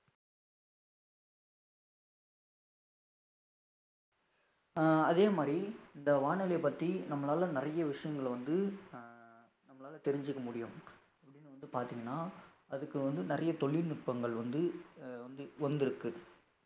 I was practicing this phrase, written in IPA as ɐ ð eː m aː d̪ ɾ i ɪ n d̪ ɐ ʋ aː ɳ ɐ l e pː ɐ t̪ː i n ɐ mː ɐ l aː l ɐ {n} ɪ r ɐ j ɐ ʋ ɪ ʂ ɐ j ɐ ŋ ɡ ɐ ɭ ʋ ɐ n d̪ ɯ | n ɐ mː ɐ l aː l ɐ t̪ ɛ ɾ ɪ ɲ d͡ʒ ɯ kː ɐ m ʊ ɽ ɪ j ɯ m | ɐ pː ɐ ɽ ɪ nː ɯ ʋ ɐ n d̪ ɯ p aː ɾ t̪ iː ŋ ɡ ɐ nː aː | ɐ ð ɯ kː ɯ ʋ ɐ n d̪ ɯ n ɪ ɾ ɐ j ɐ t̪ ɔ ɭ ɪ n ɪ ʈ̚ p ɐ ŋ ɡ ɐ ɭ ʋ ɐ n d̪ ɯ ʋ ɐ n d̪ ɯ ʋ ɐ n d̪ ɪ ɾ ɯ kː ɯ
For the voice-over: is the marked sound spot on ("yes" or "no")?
yes